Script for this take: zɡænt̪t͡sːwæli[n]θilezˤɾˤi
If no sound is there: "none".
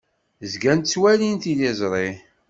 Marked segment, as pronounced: n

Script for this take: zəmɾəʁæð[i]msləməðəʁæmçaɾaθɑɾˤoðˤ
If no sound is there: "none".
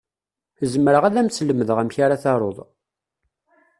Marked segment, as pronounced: æ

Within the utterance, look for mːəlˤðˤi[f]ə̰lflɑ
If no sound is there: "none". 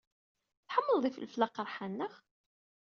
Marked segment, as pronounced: f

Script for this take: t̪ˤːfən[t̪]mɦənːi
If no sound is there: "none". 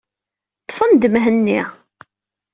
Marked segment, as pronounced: d̪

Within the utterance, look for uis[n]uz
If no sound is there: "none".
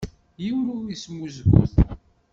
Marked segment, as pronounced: m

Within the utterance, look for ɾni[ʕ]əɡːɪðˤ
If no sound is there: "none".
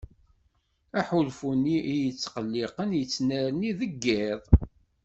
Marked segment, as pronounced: ð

